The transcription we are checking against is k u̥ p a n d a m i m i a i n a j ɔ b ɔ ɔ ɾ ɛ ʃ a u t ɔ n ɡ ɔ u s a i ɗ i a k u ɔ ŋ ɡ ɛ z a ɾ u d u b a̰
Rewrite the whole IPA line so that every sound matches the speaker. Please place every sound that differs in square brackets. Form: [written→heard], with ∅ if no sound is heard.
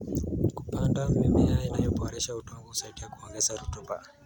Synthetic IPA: k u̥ p a n d a m i m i a i n a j ɔ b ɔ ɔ ɾ ɛ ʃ a u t ɔ [n→ŋ] ɡ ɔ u s a i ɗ i a k u ɔ ŋ ɡ ɛ z a ɾ u [d→t] u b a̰